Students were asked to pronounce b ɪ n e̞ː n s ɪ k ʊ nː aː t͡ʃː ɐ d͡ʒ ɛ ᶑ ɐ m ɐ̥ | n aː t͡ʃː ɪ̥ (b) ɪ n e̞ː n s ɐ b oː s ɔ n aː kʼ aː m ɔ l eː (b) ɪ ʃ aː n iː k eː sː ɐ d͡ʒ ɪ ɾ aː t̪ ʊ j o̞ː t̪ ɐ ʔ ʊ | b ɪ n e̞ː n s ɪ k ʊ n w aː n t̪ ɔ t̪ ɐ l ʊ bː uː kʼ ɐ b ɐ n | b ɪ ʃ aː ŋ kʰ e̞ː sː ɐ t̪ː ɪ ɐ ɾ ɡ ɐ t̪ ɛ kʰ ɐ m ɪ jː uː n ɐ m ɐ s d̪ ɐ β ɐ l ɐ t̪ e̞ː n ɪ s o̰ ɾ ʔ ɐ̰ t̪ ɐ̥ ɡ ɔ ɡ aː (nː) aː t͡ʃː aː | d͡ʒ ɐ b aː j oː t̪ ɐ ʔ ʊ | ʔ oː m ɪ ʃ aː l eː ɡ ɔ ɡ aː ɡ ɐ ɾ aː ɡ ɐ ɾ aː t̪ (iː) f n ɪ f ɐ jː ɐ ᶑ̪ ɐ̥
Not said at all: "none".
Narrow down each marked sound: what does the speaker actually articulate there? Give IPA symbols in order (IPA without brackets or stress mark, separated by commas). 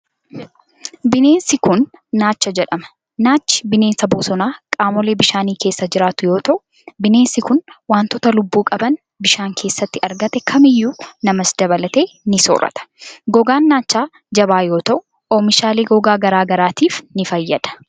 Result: b, b, nː, iː